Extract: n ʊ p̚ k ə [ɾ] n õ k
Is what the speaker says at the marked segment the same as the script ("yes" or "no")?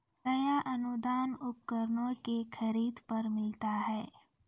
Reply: yes